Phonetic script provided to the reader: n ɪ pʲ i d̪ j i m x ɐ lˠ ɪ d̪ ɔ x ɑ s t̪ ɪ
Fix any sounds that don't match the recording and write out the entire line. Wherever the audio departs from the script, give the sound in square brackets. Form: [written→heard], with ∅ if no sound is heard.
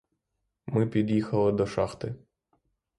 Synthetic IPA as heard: [n→m] ɪ pʲ i d̪ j i [m→∅] x ɐ lˠ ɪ d̪ ɔ [x→ʃ] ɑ [s→x] t̪ ɪ